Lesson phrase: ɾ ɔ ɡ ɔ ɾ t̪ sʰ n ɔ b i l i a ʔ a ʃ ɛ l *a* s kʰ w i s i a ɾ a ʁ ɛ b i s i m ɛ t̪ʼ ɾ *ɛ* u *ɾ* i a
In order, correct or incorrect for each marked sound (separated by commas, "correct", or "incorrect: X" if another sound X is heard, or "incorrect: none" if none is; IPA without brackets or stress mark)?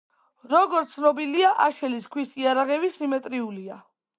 incorrect: i, incorrect: i, incorrect: l